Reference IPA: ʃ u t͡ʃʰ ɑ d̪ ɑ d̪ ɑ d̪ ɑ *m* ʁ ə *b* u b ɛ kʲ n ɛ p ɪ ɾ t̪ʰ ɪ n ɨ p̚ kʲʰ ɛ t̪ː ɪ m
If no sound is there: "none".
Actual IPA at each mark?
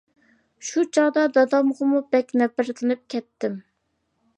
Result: m, m

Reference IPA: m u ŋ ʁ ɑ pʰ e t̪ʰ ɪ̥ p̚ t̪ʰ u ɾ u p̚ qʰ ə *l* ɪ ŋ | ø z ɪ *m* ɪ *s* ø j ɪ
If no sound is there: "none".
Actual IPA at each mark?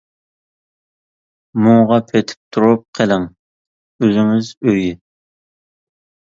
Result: l, ŋ, z

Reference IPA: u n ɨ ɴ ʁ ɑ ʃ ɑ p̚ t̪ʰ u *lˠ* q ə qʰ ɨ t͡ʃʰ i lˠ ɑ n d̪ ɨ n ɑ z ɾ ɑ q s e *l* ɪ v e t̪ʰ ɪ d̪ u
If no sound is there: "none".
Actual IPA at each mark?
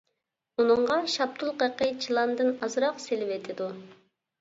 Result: lˠ, l

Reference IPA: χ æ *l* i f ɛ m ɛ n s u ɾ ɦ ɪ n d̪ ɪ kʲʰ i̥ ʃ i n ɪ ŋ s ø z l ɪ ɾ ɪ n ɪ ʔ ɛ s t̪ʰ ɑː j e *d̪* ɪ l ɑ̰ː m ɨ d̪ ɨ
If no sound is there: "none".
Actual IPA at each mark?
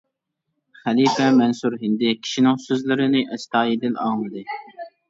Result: l, d̪

